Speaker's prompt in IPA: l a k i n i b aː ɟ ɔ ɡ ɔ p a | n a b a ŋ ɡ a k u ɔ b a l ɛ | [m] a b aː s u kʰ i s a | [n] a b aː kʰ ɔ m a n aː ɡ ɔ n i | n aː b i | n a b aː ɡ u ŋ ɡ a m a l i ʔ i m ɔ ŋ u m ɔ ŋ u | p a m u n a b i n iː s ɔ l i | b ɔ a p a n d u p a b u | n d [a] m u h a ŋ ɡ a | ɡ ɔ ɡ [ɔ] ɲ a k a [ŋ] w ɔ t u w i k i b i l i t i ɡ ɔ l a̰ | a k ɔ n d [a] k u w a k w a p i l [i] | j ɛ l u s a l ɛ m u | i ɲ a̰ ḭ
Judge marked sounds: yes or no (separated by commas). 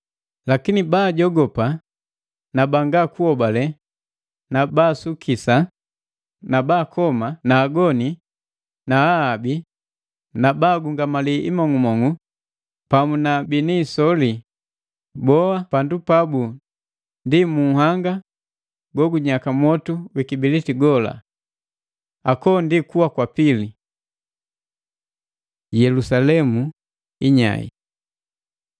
no, yes, no, no, no, no, yes